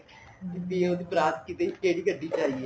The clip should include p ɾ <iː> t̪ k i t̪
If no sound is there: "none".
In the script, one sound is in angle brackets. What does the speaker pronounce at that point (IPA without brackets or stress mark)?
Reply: aː